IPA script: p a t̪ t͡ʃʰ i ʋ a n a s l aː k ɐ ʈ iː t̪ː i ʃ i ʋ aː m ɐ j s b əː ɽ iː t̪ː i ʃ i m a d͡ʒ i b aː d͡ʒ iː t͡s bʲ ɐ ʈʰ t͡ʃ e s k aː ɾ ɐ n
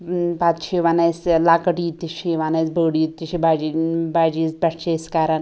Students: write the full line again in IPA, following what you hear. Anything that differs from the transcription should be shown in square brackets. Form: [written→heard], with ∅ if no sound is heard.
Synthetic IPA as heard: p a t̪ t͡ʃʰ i ʋ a n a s l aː k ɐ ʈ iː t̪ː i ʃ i ʋ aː [m→n] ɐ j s b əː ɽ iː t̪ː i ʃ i [m→b] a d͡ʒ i b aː d͡ʒ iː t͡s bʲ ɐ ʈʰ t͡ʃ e s k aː ɾ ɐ n

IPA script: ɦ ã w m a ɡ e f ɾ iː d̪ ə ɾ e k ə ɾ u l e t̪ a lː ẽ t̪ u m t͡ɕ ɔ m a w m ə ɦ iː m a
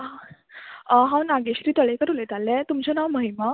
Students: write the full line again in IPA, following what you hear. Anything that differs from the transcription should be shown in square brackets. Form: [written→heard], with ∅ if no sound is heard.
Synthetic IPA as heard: ɦ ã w [m→n] a ɡ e [f→ɕ] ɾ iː [d̪→t̪] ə [ɾ→ɭ] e k ə ɾ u l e t̪ a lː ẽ t̪ u m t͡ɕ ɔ [m→n] a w m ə ɦ [iː→i] m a

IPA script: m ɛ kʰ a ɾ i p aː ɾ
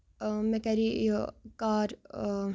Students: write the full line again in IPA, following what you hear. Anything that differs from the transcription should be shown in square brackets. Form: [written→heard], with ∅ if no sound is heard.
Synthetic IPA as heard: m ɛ [kʰ→k] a ɾ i [p→k] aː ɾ

